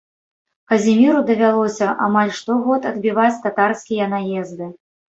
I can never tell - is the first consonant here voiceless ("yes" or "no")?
yes